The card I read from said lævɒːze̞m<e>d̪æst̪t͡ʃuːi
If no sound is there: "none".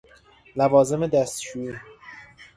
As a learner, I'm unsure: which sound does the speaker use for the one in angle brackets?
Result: e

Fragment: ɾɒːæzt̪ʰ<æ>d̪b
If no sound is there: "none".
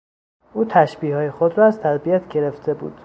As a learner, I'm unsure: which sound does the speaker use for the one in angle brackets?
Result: æ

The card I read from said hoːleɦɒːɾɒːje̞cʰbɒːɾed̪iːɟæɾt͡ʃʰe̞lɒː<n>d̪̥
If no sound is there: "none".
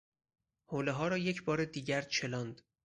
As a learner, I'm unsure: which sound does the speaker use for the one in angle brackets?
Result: n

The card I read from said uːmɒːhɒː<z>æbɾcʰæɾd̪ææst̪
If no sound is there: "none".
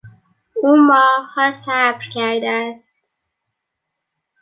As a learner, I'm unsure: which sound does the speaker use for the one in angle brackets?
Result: s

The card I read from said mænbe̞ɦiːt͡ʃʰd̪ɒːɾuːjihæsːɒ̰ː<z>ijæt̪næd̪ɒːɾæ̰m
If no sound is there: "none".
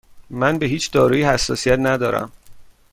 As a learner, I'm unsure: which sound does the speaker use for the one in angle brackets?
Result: s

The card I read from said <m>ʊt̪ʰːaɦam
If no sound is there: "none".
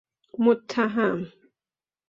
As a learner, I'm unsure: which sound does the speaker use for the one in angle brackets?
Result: m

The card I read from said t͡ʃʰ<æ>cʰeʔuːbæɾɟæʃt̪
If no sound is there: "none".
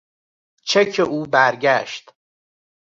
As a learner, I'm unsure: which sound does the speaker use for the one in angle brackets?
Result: e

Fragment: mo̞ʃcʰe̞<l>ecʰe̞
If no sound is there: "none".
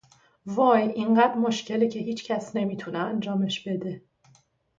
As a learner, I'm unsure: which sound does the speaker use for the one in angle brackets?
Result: l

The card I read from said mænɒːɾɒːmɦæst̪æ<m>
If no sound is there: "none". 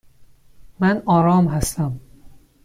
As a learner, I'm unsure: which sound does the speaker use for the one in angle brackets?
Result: m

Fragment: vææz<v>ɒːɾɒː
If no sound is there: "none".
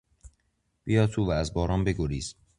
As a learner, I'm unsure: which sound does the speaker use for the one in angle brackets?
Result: b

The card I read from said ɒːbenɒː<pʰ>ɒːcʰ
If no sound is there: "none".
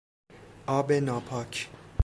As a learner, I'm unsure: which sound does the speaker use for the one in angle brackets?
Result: pʰ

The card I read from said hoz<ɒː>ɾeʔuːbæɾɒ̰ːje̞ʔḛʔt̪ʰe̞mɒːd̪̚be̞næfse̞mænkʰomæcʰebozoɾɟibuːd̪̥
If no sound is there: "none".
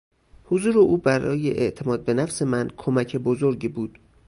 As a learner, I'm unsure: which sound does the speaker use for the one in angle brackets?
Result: uː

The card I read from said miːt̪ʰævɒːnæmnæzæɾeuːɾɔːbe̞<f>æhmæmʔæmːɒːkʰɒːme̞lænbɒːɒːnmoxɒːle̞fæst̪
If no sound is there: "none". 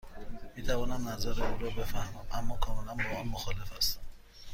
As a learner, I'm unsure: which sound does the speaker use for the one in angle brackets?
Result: f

